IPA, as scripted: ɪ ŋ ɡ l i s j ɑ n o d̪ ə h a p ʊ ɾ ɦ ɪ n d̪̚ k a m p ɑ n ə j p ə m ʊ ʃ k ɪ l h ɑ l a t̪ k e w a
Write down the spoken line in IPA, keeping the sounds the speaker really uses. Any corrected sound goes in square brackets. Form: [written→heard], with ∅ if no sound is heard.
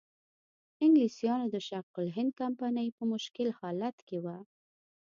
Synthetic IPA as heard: ɪ ŋ ɡ l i s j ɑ n o d̪ ə [h→ʃ] a [p→q] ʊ [ɾ→l] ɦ ɪ n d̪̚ k a m p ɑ n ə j p ə m ʊ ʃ k ɪ l h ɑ l a t̪ k e w a